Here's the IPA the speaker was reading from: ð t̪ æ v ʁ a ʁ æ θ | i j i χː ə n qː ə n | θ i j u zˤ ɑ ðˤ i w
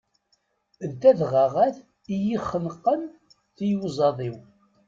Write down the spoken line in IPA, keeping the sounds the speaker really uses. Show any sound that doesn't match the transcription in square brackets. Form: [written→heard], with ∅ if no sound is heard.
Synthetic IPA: ð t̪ æ [v→ð] ʁ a ʁ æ θ | i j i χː ə n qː ə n | θ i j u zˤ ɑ ðˤ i w

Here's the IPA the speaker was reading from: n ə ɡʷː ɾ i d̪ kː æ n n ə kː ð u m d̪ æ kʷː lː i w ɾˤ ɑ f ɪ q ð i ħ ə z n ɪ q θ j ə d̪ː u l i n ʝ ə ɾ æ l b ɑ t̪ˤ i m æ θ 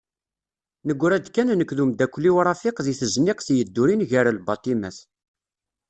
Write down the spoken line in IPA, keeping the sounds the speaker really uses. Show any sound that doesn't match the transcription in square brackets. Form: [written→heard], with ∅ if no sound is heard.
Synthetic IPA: n ə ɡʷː ɾ [i→æ] d̪ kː æ n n ə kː ð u m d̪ æ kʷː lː i w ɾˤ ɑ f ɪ q ð i [ħ→θ] ə z n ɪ q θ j ə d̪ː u [l→ɾ] i n ʝ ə ɾ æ l b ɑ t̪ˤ i m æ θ

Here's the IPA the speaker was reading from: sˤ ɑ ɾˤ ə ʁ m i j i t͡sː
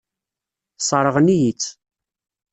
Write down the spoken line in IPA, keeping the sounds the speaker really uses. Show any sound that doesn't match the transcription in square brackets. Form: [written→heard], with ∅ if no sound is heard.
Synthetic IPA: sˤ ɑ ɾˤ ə ʁ [m→n] i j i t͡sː

